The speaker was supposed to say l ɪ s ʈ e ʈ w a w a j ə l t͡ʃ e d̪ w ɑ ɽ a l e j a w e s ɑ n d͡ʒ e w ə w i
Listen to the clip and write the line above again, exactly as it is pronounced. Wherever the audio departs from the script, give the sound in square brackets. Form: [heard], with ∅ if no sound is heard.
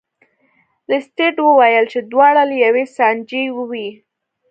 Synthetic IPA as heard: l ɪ s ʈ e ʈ w [ə] w a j ə l t͡ʃ e d̪ w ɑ ɽ a l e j a w e s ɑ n d͡ʒ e w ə w i